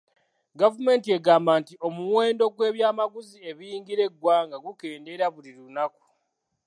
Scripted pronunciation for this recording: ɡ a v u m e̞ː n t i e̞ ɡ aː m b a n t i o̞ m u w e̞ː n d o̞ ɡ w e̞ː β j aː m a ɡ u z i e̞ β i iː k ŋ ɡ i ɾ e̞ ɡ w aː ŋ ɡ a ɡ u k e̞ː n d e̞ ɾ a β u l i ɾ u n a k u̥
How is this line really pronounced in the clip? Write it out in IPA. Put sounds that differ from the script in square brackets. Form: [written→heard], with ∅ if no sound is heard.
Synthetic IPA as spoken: ɡ a v u m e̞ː n t i e̞ ɡ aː m b a n t i o̞ m u w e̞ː n d o̞ ɡ w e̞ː β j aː m a ɡ u z i e̞ β i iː [k→∅] ŋ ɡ i ɾ e̞ ɡ w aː ŋ ɡ a ɡ u k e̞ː n d e̞ ɾ a β u l i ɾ u n a k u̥